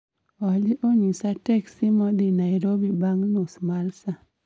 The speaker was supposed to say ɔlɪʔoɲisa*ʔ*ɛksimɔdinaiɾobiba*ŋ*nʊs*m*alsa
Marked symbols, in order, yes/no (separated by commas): no, yes, yes